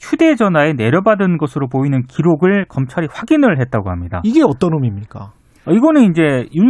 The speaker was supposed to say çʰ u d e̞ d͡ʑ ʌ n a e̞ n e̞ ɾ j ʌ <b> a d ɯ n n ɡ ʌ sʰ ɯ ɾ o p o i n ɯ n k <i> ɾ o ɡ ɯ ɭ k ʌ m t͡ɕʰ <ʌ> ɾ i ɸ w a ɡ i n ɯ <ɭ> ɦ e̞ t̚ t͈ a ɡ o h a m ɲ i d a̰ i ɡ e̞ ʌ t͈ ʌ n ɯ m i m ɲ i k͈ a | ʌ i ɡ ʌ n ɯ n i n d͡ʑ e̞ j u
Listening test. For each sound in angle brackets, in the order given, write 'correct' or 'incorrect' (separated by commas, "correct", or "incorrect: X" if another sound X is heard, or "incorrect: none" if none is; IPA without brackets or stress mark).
correct, correct, incorrect: a, correct